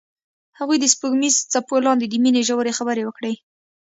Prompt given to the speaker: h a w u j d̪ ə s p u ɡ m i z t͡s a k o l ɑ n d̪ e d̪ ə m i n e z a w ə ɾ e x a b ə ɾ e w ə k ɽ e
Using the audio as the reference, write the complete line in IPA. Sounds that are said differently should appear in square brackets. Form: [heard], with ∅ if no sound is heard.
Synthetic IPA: h a [ɣ] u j d̪ ə s p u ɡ m i z t͡s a [p] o l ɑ n d̪ e d̪ ə m i n e [ʒ] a w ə ɾ e x a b ə ɾ e w ə k ɽ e